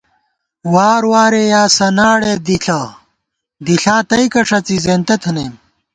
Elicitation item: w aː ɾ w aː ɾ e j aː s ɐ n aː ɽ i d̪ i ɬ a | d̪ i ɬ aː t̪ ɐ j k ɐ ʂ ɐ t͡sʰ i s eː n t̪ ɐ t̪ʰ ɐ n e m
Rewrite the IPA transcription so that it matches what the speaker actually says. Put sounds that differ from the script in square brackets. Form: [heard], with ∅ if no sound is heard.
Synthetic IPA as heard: w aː ɾ w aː ɾ e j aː s ɐ n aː ɽ [e] d̪ i ɬ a | d̪ i ɬ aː t̪ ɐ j k ɐ ʂ ɐ [t͡s] i [z] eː n t̪ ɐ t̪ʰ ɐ n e m